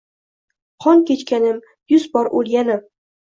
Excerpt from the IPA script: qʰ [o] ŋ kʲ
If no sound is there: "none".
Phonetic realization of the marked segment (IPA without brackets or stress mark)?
ɒ